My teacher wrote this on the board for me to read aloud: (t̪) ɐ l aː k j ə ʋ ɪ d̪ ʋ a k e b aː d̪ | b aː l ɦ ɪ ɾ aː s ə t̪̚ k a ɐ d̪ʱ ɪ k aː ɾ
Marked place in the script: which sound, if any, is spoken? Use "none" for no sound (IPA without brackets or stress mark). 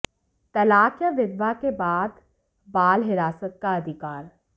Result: t̪